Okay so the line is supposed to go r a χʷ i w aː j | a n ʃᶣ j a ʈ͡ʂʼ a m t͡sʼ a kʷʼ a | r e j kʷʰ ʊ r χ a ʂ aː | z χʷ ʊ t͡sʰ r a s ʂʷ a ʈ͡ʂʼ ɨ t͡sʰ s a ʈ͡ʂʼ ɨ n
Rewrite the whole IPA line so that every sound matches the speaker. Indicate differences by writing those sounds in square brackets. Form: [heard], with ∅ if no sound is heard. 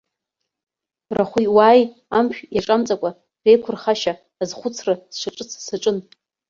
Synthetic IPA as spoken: r a χʷ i w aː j | a [m] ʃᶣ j a ʈ͡ʂʼ a m t͡sʼ a kʷʼ a | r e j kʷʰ ʊ r χ a [ʃ] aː | z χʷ ʊ t͡sʰ r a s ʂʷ a ʈ͡ʂʼ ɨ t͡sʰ s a ʈ͡ʂʼ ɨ n